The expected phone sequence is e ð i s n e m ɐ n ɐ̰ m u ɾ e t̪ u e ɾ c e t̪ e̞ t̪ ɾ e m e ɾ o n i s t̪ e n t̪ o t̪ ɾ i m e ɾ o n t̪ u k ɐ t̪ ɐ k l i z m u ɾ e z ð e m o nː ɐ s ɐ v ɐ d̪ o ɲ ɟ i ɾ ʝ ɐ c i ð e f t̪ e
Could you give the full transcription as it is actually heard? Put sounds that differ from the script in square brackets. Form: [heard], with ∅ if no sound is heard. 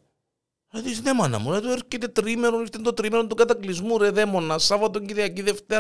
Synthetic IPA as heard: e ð i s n e m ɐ n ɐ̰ m u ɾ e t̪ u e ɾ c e t̪ e̞ t̪ ɾ [i] m e ɾ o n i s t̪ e n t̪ o t̪ ɾ i m e ɾ o n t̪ u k ɐ t̪ ɐ k l i z m u ɾ e [∅] ð e m o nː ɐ s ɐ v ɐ [t̪] o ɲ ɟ i ɾ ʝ ɐ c i ð e f t̪ e